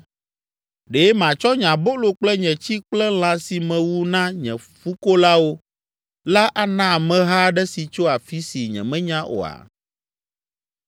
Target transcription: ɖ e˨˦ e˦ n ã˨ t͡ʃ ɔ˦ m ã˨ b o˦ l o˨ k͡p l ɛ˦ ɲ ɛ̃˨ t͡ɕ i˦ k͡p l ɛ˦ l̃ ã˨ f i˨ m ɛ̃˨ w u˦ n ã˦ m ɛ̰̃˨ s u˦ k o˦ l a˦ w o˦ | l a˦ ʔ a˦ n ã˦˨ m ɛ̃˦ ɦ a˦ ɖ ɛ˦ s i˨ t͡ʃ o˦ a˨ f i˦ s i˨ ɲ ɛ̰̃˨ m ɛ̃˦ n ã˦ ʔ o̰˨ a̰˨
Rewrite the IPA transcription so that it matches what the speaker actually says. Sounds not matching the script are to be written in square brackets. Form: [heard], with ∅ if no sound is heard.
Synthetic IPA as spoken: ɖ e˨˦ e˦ [m] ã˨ t͡ʃ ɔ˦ [ɲ] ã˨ b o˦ l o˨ k͡p l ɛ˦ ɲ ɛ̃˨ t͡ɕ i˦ k͡p l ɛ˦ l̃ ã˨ [s] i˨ m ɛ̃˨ w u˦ n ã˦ [ɲ] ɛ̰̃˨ [f] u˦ k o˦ l a˦ w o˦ | l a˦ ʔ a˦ n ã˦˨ m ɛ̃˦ ɦ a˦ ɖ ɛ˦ s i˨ t͡ʃ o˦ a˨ f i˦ s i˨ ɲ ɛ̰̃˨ m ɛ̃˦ [ɲ] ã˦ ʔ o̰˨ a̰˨